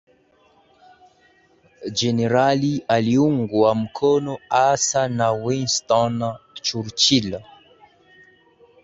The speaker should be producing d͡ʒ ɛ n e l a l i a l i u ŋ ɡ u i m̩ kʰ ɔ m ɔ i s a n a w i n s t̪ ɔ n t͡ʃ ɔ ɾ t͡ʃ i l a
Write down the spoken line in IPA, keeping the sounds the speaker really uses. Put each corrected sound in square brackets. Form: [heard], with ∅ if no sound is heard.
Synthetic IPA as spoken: d͡ʒ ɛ n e [ɾ] a l i a l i u ŋ ɡ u [a] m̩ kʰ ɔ [n] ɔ [a] s a n a w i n s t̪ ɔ n t͡ʃ [u] ɾ t͡ʃ i l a